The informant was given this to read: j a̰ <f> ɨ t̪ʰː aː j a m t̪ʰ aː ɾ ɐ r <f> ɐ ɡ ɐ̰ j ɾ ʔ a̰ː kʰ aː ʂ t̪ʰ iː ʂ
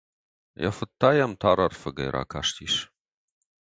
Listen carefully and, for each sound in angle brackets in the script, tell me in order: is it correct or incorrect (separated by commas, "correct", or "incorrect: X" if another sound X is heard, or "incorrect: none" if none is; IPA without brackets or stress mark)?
correct, correct